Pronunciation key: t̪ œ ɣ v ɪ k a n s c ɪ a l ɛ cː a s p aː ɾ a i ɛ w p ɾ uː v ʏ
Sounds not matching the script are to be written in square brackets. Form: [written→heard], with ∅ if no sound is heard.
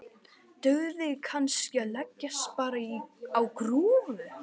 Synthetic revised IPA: t̪ œ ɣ [v→ð] ɪ [k→kʰ] a n s c ɪ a l ɛ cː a s p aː ɾ a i [ɛ→a] w [p→k] ɾ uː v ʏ